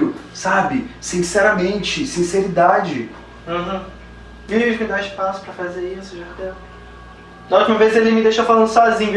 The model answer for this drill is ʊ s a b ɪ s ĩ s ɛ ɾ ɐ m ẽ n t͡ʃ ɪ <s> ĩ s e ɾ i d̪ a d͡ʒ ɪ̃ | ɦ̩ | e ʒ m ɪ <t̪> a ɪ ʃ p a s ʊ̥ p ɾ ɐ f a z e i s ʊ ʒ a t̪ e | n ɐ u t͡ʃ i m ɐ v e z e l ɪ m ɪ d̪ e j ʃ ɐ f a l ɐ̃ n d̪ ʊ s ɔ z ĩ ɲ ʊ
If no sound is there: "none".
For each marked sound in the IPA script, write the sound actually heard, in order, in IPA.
s, d̪

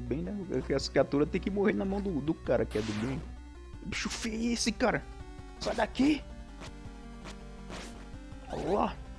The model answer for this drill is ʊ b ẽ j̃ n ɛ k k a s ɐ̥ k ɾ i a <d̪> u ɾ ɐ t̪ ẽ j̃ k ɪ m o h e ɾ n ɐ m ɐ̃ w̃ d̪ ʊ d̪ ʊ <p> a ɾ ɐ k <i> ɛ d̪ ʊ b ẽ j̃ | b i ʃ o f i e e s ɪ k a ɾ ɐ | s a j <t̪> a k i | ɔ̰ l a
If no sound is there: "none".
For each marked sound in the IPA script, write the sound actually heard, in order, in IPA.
t̪, k, ɪ, d̪

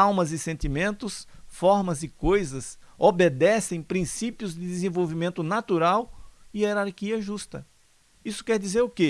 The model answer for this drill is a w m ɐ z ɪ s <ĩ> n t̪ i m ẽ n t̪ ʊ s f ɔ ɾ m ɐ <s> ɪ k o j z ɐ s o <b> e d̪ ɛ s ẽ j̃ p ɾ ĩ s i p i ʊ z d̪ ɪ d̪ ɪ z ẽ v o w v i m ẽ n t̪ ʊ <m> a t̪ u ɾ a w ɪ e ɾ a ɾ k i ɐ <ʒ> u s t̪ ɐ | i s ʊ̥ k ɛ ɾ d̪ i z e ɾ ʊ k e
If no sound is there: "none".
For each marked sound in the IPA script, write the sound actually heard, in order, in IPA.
ẽ, z, b, n, ʒ

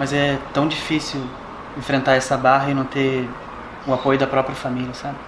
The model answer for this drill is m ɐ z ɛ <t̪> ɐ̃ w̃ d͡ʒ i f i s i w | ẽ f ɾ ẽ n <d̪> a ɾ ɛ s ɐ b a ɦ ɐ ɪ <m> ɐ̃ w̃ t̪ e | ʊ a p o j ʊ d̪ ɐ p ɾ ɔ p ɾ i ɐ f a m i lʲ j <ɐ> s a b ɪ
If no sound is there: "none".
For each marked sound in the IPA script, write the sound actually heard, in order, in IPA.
t̪, t̪, n, ɐ

